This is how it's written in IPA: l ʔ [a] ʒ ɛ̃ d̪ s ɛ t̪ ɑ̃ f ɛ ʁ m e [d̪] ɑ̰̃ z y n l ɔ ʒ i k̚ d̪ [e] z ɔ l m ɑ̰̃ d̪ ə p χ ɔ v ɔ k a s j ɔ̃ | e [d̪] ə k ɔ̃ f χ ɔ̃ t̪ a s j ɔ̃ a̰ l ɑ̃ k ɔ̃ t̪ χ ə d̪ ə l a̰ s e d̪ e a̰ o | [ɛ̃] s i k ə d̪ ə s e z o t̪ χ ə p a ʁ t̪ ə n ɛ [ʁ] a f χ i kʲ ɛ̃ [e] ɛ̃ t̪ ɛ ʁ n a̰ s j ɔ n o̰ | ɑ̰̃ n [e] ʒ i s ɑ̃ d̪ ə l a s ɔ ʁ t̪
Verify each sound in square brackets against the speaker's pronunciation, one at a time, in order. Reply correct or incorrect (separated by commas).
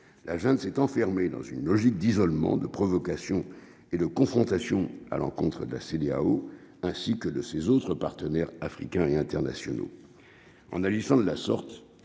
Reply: correct, correct, incorrect, correct, correct, correct, correct, incorrect